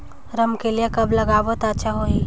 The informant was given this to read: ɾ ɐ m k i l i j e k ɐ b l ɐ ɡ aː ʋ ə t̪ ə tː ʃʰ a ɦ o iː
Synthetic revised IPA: ɾ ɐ m k e l i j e k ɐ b l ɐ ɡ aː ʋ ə t̪ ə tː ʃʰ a ɦ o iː